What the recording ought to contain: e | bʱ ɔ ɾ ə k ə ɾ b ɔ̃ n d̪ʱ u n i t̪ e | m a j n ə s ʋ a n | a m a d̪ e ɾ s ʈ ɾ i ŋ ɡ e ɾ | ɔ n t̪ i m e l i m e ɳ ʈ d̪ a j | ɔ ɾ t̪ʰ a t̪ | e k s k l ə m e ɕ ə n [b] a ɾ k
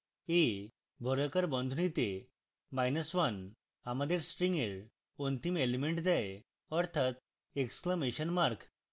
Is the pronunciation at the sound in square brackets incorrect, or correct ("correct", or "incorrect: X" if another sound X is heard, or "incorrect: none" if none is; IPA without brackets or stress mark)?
incorrect: m